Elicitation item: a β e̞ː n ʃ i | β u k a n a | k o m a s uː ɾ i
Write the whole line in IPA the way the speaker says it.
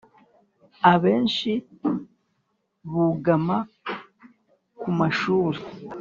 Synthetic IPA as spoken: a β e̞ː n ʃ i | β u ɡ a m a | k u m a ʃ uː ɾ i